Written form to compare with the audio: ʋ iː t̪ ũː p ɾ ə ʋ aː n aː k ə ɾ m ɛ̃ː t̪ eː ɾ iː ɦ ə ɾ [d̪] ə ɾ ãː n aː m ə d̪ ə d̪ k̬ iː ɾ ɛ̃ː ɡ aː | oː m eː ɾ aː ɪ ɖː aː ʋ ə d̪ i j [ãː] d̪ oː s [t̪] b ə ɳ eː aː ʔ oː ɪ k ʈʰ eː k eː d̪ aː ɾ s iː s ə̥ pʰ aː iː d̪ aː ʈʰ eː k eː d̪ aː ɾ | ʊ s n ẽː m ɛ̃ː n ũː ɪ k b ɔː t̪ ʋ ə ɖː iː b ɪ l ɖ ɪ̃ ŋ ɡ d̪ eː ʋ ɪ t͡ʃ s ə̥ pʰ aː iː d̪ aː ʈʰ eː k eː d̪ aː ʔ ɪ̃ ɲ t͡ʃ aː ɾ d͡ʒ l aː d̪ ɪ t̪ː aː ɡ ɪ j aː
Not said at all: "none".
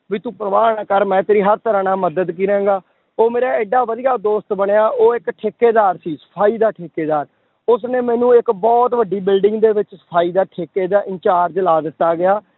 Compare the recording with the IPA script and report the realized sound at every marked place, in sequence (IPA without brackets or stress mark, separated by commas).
t̪, aː, t̪